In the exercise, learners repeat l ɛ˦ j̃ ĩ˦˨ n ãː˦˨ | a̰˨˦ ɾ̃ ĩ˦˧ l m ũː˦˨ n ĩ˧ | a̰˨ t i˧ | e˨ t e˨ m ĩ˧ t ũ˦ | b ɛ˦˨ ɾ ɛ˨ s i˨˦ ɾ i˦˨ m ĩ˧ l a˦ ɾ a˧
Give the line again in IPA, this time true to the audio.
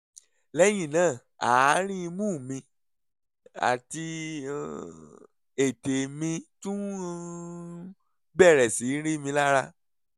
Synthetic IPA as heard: l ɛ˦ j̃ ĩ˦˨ n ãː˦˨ | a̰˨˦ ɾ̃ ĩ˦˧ m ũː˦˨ m ĩ˧ | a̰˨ t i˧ | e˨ t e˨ m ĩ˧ t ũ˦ | b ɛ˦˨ ɾ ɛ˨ s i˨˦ ɾ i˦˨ m ĩ˧ l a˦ ɾ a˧